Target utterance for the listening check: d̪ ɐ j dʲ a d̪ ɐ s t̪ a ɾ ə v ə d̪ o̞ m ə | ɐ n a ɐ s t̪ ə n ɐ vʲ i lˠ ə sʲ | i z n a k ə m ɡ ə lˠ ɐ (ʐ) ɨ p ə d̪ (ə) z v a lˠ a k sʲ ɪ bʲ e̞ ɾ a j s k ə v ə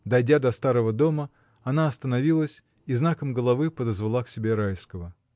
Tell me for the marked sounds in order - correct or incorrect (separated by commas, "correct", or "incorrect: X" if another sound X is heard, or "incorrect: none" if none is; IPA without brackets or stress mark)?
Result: incorrect: v, correct